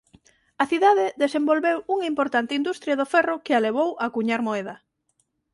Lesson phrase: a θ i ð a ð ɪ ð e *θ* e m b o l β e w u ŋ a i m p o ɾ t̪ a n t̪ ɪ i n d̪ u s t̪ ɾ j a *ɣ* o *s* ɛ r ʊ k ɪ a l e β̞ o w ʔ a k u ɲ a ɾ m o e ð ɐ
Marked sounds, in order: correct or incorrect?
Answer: incorrect, incorrect, incorrect

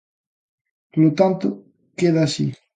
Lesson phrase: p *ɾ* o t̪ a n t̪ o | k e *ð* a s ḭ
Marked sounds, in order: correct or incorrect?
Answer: incorrect, correct

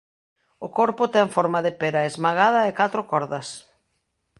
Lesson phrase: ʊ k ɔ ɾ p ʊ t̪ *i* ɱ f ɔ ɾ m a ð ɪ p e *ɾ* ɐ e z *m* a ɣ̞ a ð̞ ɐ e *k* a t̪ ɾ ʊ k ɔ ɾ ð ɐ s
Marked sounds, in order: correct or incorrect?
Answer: incorrect, correct, correct, correct

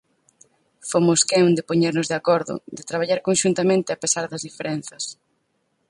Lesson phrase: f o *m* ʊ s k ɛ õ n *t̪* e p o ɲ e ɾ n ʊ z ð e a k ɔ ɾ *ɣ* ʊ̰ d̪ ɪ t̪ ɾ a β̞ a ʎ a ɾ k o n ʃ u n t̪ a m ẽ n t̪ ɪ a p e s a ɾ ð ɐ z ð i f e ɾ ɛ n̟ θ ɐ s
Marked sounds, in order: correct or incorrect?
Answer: correct, incorrect, incorrect

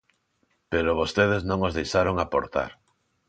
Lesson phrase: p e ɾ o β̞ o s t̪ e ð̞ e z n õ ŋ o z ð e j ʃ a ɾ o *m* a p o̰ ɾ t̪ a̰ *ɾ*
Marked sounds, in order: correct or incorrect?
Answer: incorrect, correct

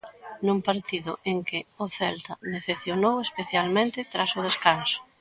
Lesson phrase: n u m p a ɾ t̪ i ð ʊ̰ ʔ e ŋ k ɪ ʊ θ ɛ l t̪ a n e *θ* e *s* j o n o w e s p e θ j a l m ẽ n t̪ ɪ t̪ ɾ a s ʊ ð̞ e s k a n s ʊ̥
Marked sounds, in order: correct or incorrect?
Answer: correct, incorrect

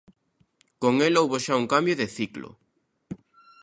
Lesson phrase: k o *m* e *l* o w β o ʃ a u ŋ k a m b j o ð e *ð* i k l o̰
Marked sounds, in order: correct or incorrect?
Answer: incorrect, correct, incorrect

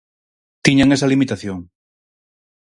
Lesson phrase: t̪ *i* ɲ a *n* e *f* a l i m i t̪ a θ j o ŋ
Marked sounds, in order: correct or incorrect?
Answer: correct, incorrect, incorrect

